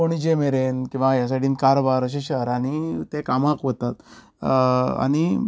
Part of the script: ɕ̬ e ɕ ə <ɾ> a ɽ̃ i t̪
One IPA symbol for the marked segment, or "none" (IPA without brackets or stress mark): ɾ